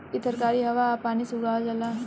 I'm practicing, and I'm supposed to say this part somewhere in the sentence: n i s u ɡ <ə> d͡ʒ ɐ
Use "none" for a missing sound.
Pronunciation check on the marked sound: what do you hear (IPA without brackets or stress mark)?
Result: a